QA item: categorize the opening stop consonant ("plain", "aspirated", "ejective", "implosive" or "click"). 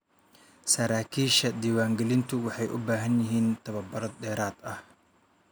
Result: aspirated